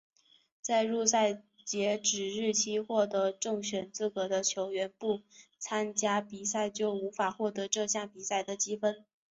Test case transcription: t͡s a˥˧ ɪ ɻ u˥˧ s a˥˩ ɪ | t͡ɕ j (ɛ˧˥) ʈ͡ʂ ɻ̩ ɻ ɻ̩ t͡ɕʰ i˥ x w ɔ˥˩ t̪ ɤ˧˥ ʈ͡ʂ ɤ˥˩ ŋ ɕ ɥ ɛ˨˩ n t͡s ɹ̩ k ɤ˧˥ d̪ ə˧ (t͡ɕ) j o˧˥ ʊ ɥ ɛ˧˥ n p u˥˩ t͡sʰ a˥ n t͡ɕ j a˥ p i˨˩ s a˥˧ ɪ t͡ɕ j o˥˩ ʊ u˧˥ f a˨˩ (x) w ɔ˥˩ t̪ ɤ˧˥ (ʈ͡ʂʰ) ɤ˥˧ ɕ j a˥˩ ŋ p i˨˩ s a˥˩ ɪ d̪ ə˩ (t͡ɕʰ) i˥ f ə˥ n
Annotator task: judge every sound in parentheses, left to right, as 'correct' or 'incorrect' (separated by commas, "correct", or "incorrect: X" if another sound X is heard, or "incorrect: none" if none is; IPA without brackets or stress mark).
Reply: correct, incorrect: t͡ɕʰ, correct, incorrect: ʈ͡ʂ, incorrect: t͡ɕ